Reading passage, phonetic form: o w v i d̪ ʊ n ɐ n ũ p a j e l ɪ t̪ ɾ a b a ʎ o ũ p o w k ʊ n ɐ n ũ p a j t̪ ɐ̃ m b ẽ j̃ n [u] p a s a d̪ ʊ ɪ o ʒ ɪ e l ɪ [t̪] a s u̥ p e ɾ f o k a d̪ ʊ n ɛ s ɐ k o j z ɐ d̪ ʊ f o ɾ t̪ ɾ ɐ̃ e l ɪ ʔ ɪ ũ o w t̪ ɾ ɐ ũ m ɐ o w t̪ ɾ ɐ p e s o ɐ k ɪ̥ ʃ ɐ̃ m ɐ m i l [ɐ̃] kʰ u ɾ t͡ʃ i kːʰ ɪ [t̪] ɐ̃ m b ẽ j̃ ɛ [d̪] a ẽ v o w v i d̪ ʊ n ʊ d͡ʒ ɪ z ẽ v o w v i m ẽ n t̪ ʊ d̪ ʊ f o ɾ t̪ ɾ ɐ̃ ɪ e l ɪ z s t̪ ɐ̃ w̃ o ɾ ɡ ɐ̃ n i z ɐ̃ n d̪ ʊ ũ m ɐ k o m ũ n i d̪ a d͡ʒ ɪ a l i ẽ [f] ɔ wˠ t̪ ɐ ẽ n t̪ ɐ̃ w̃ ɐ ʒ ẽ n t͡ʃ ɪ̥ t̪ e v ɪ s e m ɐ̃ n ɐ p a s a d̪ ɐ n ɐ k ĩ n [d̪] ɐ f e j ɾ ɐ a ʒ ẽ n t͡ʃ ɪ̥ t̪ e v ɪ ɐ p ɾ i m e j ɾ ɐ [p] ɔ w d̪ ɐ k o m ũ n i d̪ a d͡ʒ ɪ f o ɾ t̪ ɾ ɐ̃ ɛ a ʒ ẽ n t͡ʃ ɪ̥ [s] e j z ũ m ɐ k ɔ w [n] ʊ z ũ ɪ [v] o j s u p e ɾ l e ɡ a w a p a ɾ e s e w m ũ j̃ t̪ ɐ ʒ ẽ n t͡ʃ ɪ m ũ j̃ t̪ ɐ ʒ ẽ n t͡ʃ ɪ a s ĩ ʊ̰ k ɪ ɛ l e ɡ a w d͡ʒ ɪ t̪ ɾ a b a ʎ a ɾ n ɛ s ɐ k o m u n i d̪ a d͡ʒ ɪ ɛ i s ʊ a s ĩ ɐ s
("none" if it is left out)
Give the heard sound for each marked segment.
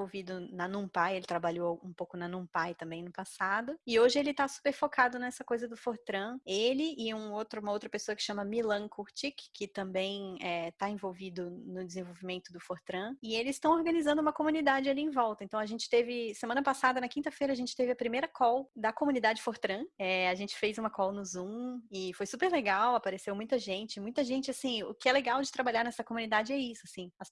ʊ, t̪, ɐ̃, t̪, t̪, v, t̪, k, f, n, f

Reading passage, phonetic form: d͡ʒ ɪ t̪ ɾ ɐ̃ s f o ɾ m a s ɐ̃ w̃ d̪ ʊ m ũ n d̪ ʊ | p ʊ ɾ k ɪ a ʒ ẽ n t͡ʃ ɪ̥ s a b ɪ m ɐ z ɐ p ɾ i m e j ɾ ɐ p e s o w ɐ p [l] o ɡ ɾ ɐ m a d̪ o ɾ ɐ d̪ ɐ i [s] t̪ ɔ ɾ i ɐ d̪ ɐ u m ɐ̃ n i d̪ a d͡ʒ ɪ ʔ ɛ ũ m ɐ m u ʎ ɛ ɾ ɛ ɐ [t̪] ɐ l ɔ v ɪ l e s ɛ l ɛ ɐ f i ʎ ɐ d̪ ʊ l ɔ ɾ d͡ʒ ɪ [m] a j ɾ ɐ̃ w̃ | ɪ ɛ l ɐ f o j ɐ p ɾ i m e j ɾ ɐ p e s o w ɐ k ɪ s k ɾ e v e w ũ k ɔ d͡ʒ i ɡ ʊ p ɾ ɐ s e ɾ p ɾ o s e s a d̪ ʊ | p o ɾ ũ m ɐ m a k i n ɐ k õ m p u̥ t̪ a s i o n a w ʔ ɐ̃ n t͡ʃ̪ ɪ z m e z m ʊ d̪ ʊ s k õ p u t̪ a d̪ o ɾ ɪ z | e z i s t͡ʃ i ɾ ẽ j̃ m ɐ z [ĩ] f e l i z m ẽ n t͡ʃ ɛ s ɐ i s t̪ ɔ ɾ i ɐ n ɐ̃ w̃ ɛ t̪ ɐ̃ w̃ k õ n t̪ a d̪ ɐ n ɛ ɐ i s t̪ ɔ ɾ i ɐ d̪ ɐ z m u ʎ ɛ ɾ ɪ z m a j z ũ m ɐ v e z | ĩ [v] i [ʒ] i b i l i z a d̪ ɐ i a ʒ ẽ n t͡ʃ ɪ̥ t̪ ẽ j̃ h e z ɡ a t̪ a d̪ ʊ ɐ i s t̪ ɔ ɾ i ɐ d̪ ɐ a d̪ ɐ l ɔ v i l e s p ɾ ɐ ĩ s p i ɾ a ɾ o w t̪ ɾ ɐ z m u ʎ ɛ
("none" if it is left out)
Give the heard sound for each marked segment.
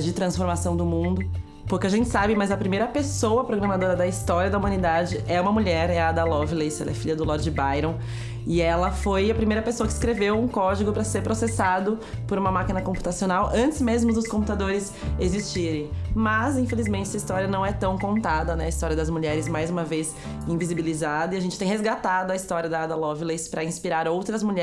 ɾ, s, d̪, b, ĩ, v, z

